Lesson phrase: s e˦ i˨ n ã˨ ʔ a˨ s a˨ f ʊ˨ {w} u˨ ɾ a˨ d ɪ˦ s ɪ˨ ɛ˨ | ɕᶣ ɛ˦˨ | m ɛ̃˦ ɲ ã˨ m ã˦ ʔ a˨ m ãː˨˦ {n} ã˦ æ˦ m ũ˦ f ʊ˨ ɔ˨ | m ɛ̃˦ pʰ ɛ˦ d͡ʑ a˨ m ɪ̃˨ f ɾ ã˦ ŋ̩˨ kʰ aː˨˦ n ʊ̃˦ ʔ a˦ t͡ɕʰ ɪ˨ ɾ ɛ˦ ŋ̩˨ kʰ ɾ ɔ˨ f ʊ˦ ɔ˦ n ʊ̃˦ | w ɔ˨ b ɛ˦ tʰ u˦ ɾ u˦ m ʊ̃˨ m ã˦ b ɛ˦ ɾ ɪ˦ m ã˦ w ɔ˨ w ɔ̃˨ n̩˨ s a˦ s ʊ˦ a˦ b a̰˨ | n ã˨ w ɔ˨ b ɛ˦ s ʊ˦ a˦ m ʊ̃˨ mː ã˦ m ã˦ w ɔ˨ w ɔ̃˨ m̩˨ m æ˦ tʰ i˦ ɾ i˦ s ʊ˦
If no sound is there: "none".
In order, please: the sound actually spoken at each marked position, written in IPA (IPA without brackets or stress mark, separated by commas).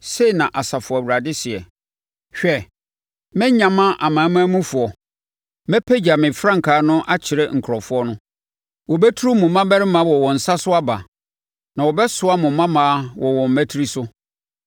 w, m